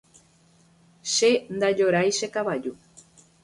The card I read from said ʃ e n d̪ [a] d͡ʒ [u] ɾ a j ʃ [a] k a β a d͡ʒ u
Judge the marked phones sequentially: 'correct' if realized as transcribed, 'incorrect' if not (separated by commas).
correct, incorrect, incorrect